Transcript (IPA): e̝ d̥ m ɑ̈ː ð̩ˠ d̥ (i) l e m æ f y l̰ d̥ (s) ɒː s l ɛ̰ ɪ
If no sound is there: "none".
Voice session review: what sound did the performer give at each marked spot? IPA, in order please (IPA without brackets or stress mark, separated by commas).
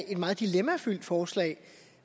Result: i, f